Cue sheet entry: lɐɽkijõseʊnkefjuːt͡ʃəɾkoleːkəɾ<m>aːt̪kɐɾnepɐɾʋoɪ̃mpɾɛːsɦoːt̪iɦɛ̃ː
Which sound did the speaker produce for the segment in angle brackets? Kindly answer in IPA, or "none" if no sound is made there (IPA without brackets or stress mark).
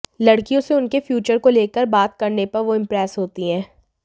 b